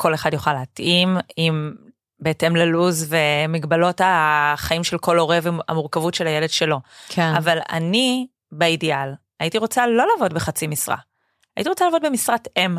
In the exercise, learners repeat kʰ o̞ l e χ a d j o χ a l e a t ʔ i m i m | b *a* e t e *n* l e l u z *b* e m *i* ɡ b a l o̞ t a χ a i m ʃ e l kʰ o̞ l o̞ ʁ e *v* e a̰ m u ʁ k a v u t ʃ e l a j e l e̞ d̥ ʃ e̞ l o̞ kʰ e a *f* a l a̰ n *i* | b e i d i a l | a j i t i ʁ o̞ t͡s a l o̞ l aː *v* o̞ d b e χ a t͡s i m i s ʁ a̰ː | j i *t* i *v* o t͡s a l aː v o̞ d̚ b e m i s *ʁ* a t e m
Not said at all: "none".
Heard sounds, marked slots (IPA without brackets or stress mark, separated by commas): e, m, v, i, v, v, i, v, t, ʁ, ʁ